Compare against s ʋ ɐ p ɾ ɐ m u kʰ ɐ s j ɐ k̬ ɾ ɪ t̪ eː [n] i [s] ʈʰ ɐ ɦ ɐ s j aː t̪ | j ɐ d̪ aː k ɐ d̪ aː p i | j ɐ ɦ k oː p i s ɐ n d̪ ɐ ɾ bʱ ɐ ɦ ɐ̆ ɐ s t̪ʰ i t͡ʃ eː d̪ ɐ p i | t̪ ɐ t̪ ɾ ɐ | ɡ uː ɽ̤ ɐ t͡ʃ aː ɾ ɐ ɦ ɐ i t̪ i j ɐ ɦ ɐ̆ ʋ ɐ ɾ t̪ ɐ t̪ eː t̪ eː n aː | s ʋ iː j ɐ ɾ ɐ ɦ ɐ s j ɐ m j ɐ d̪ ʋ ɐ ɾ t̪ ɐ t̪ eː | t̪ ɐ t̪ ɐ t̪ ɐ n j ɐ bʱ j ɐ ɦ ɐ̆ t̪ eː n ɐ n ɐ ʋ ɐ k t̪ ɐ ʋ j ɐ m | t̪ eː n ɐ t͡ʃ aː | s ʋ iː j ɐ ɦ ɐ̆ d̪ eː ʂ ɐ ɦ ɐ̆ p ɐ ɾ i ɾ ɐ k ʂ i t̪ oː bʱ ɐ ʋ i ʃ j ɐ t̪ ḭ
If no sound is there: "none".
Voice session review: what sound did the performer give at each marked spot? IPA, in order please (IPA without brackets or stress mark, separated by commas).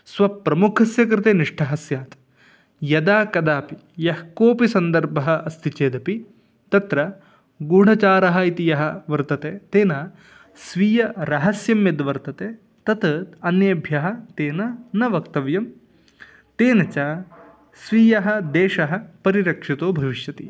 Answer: n, ʂ